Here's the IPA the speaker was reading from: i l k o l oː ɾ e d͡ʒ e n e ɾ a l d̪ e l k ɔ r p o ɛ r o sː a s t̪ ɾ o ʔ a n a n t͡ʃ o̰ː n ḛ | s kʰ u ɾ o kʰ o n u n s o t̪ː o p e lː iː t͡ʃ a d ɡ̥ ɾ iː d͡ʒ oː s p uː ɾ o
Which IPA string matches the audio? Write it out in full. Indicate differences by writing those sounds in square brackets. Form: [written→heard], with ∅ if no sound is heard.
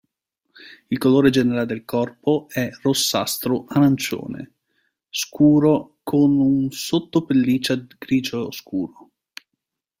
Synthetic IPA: i l k o l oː ɾ e d͡ʒ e n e ɾ a l d̪ e l k ɔ r p o ɛ r o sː a s t̪ ɾ o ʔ a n a n t͡ʃ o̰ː n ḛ | s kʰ [u→uː] ɾ o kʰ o n u n s o t̪ː o p e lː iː t͡ʃ a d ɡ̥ ɾ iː d͡ʒ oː s [p→k] uː ɾ o